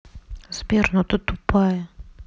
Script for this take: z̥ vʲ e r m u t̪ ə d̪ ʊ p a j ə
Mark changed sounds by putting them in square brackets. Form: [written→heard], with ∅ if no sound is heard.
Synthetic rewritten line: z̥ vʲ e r [m→n] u t̪ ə [d̪→t̪] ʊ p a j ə